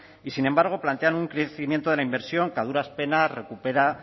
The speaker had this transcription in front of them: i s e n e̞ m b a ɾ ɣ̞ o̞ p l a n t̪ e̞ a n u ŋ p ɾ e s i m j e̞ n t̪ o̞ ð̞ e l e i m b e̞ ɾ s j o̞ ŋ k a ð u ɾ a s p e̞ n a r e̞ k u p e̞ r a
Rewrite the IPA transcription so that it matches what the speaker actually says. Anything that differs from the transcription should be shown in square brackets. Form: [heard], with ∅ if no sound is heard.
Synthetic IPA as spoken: i s [i] n e̞ m b a ɾ ɣ̞ o̞ p l a n t̪ e̞ a n u ŋ [k] ɾ e [θ] i m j e̞ n t̪ o̞ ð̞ e l [a] i m b e̞ ɾ s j o̞ ŋ k a ð u ɾ a s p e̞ n a r e̞ k u p e̞ [ɾ] a